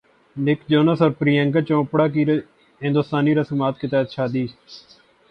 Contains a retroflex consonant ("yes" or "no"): yes